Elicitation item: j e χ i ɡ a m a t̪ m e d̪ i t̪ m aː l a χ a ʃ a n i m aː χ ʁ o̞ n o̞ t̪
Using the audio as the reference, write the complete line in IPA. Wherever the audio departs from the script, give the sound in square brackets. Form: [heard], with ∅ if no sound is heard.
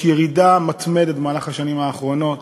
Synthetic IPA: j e [ʁ] i [d] a m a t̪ m e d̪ [e] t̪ m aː l a χ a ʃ a n i m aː χ ʁ o̞ n o̞ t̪

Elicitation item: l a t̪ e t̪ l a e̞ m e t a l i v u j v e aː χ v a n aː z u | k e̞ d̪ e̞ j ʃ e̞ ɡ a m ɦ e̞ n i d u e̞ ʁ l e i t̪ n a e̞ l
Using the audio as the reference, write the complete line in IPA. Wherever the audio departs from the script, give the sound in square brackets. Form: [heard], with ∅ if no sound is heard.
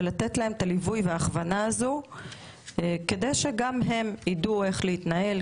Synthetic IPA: l a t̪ e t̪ l a e̞ m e t a l i v u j v e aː χ v a n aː z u | k e̞ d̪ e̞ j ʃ e̞ ɡ a m ɦ e̞ [m] i d u e̞ [χ] l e i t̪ n a e̞ l

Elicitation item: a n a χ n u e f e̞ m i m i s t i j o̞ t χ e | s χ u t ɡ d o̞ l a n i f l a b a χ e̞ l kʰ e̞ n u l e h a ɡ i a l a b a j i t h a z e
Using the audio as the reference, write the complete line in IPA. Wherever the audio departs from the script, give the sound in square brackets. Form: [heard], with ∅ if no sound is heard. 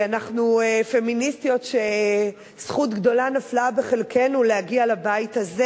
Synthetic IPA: a n a χ n u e f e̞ m i [n] i s t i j o̞ t [ʃ] e | s χ u t ɡ d o̞ l a n [a] f l a b [e] χ e̞ l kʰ e̞ n u l e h a ɡ i a l a b a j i t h a z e

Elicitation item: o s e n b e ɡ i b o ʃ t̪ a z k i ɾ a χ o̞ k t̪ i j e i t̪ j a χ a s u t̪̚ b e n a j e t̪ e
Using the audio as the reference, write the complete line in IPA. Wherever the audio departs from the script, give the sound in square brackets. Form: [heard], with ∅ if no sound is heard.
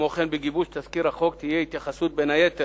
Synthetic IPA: o [χ] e n b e ɡ i b [u] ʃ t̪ a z k i ɾ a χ o̞ k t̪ i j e i t̪ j a χ a s u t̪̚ b e n a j e t̪ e

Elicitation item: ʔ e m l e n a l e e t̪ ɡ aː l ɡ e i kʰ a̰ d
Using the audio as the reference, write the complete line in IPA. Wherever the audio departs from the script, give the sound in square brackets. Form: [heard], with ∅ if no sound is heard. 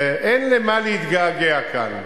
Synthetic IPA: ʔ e [n] l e [m] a l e [i] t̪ ɡ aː [∅] ɡ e [a] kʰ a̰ [n]

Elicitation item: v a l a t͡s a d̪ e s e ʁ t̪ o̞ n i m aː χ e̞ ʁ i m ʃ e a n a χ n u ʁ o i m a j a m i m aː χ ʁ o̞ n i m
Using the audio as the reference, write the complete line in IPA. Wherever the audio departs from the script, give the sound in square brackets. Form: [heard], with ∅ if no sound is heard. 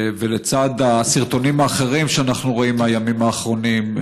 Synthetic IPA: v [e] l [e] t͡s a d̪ [a] s [i] ʁ t̪ o̞ n i m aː χ e̞ ʁ i m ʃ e a n a χ n u ʁ o i m a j a m i m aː χ ʁ o̞ n i m

